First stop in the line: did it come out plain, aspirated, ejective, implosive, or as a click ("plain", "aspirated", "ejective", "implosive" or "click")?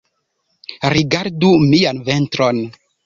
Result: plain